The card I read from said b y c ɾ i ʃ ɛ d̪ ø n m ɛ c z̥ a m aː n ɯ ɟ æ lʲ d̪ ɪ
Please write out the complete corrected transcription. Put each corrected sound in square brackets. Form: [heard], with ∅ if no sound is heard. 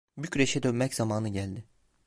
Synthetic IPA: b y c ɾ [e] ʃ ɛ d̪ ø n m ɛ c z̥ a m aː n ɯ ɟ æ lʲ d̪ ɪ